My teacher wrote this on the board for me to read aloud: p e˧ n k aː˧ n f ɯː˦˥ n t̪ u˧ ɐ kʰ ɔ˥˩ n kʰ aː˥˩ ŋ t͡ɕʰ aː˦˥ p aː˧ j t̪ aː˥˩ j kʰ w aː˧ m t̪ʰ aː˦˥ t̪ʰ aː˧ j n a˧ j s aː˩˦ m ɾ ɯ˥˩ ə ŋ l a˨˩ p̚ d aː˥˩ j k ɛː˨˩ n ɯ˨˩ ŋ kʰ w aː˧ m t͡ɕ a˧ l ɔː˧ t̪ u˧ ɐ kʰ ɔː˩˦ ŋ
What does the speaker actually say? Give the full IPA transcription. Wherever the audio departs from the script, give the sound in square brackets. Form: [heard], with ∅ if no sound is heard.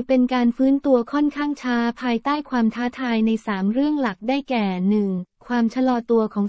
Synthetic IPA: p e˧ n k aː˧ n f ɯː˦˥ n t̪ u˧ ɐ kʰ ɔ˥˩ n kʰ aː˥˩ ŋ t͡ɕʰ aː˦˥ [pʰ] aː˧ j t̪ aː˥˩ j kʰ w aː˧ m t̪ʰ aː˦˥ t̪ʰ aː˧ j n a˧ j s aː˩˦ m ɾ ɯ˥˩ ə ŋ l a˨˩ [k̚] d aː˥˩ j k ɛː˨˩ n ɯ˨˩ ŋ kʰ w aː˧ m [t͡ɕʰ] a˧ l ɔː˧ t̪ u˧ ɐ kʰ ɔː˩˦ ŋ

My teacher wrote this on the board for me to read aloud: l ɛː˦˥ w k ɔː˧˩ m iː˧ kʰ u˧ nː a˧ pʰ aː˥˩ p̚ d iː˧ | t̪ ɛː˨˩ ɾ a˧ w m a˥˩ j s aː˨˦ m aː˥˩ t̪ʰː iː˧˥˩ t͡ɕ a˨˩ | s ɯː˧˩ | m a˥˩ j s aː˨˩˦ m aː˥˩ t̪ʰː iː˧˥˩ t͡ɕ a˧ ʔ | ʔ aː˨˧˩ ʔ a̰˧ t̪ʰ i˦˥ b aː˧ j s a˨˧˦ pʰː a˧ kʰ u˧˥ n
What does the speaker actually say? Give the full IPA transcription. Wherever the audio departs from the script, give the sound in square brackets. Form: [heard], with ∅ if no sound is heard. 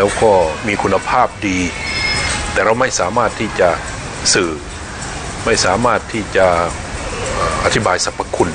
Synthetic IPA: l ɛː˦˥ w k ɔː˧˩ m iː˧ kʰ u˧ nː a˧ pʰ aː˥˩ p̚ d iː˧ | t̪ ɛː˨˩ ɾ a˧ w m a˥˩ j s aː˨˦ m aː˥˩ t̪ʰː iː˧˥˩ t͡ɕ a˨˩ | s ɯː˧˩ | m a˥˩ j s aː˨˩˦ m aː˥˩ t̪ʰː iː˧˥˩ t͡ɕ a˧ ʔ | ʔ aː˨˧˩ ʔ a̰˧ t̪ʰ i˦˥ b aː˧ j s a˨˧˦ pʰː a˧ kʰ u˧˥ n

